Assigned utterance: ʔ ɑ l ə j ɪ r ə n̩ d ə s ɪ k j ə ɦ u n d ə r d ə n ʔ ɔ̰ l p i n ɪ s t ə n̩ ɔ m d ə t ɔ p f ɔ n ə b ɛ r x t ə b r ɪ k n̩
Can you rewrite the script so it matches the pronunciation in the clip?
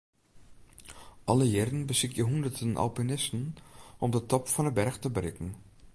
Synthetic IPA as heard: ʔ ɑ l ə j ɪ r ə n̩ b ə s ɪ k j ə ɦ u n d ə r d ə n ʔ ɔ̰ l p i n ɪ s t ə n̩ ɔ m d ə t ɔ p f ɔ n ə b ɛ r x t ə b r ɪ k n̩